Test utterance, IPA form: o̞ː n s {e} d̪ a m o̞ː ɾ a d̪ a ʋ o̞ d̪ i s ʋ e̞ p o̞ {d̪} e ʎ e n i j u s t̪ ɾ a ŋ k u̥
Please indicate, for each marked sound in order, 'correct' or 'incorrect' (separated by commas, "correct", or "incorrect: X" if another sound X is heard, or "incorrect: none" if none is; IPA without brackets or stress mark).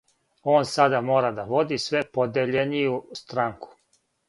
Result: incorrect: a, correct